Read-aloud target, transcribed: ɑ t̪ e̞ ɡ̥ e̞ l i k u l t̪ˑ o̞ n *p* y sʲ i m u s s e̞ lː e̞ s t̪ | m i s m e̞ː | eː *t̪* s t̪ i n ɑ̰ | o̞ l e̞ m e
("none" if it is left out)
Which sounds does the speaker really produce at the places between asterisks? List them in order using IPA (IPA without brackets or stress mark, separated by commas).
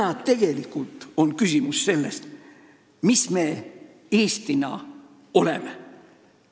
k, none